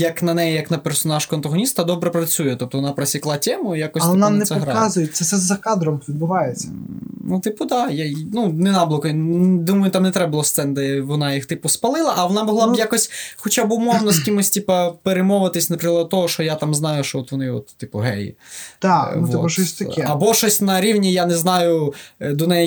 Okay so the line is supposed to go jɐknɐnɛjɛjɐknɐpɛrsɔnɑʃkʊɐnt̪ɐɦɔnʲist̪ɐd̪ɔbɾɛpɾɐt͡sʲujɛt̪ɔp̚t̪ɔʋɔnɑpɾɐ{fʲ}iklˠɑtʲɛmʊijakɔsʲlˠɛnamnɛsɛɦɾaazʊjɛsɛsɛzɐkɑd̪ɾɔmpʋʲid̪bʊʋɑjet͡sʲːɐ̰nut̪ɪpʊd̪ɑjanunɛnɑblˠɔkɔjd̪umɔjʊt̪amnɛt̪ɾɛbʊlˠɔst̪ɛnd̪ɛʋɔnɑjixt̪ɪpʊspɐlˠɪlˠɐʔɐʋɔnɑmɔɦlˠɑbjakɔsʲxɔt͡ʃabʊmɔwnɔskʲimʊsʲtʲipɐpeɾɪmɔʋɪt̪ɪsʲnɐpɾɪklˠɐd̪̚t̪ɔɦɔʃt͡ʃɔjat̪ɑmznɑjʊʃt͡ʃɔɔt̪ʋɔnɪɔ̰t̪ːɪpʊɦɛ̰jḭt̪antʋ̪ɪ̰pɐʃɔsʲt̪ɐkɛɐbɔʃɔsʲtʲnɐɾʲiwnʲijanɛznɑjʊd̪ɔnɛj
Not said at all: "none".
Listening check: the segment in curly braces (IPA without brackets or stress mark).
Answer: sʲ